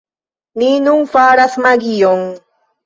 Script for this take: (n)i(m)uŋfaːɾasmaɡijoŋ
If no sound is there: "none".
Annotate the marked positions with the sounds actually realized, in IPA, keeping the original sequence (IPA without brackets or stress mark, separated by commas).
n, n